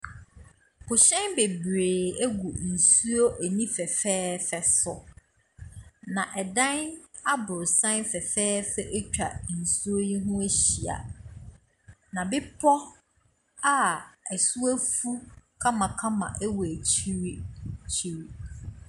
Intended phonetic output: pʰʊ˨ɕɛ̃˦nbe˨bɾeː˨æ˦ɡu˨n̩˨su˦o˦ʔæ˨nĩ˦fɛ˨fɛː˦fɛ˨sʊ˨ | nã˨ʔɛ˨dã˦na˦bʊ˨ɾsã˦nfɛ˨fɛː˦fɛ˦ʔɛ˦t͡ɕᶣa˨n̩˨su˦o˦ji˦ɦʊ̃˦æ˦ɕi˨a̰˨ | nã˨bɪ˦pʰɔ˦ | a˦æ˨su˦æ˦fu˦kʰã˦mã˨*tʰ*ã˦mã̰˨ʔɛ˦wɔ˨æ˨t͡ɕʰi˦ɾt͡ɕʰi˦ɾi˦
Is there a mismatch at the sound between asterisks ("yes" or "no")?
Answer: yes